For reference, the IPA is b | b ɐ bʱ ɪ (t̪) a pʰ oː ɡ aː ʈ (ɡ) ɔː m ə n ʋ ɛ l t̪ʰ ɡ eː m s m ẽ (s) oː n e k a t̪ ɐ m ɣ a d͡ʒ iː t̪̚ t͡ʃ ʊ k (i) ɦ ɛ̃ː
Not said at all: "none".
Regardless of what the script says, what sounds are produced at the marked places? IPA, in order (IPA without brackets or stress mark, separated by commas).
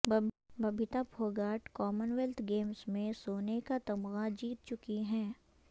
t̪, k, s, i